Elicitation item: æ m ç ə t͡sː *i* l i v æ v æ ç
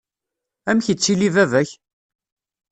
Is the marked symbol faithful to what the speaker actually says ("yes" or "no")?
yes